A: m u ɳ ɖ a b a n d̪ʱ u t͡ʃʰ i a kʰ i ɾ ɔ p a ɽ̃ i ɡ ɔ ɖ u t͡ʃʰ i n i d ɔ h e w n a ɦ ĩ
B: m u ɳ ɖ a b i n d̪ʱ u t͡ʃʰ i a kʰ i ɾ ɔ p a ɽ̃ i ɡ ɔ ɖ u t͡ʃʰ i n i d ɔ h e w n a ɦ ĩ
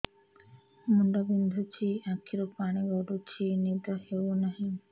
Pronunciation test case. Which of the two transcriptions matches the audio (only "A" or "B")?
B